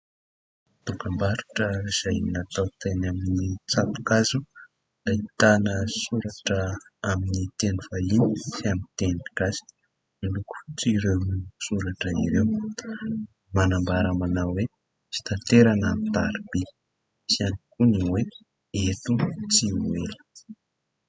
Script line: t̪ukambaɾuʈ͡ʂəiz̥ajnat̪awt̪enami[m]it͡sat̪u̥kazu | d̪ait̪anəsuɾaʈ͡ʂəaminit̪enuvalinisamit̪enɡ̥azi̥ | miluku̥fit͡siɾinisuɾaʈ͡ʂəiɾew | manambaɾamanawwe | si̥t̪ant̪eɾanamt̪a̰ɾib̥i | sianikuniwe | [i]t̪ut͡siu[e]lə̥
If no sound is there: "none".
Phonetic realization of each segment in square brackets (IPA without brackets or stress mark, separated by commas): n, e, e